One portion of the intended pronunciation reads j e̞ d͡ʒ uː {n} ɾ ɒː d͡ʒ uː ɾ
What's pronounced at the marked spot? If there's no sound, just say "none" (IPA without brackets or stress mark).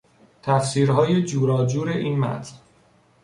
none